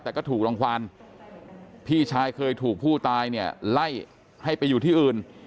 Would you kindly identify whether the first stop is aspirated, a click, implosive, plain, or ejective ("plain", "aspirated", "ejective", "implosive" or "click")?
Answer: plain